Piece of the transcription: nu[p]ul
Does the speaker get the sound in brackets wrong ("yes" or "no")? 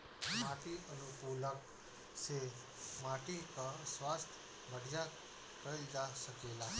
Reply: no